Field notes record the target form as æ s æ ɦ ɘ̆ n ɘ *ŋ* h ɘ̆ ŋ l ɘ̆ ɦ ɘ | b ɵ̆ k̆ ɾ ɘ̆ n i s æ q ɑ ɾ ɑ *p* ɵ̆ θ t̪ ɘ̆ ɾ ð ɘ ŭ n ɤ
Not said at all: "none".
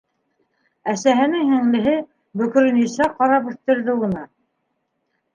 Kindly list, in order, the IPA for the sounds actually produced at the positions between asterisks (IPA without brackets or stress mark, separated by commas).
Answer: ŋ, p